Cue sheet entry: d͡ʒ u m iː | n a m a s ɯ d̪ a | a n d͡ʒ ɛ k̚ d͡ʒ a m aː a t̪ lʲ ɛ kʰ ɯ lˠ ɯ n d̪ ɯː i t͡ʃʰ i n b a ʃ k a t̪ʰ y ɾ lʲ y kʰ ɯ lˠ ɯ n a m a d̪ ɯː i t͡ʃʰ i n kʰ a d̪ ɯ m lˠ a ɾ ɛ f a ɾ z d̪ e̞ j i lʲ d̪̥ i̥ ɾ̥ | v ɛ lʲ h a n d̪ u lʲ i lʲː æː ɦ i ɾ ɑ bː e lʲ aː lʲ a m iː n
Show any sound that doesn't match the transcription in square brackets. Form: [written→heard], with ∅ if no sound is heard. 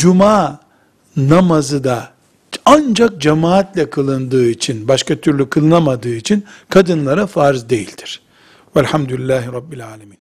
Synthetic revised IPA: d͡ʒ u m [iː→aː] | n a m a [s→z] ɯ d̪ a | a n d͡ʒ [ɛ→a] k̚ d͡ʒ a m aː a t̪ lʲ ɛ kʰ ɯ lˠ ɯ n d̪ ɯː i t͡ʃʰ i n b a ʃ k a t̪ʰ y ɾ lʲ y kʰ ɯ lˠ ɯ n a m a d̪ ɯː i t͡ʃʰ i n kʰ a d̪ ɯ [m→n] lˠ a ɾ [ɛ→a] f a ɾ z d̪ e̞ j i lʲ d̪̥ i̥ ɾ̥ | v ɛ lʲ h a [n→m] d̪ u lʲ i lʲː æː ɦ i ɾ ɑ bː [e→i] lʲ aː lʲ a m iː n